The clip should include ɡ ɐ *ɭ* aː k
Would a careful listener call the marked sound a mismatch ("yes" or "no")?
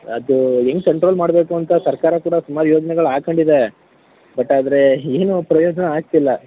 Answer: no